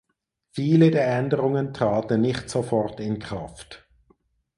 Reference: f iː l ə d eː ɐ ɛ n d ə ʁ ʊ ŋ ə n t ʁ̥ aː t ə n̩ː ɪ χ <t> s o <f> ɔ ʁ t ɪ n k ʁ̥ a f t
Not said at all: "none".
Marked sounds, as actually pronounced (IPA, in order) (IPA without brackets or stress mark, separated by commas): t, f